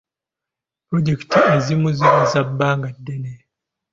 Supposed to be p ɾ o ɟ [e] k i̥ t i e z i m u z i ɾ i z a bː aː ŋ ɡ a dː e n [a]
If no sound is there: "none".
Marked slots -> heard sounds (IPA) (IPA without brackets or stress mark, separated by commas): e, e